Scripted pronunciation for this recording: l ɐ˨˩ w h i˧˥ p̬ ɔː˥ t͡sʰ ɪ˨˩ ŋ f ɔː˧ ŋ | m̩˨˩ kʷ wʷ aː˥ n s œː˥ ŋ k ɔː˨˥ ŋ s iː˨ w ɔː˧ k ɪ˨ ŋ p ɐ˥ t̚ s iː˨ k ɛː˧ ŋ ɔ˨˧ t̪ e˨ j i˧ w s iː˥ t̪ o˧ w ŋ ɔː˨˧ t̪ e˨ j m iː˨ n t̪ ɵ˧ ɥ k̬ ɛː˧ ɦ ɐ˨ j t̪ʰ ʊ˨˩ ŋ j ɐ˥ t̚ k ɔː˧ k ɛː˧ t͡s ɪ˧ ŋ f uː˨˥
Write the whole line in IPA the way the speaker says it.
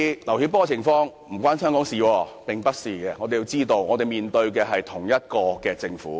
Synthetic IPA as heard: l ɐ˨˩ w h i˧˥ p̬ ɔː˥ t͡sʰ ɪ˨˩ ŋ f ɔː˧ ŋ | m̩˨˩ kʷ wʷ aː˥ n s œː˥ ŋ k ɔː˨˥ ŋ s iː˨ w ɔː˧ p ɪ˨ ŋ p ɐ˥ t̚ s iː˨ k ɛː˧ ŋ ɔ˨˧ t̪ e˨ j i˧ w t͡s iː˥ t̪ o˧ w ŋ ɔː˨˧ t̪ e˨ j m iː˨ n t̪ ɵ˧ ɥ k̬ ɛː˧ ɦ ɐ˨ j t̪ʰ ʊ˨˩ ŋ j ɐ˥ t̚ k ɔː˧ k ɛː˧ t͡s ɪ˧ ŋ f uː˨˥